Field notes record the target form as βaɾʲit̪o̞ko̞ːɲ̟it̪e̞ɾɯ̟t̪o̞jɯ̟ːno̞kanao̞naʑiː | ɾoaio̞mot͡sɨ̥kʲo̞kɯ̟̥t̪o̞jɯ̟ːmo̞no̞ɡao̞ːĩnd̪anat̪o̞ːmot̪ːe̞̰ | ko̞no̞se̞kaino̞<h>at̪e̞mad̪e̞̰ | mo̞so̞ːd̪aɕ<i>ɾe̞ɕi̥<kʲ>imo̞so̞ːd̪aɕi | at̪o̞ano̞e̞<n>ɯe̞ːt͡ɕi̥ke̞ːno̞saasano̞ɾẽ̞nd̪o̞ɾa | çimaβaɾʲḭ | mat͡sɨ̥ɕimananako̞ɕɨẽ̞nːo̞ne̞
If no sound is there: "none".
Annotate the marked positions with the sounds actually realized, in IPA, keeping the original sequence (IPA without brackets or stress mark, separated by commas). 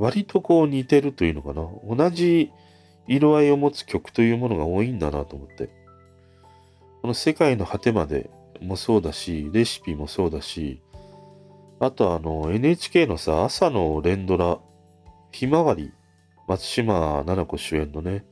h, i, pʲ, n